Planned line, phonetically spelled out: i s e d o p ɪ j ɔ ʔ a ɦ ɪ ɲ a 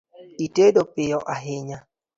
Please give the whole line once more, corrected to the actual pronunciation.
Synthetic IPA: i t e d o p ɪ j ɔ ʔ a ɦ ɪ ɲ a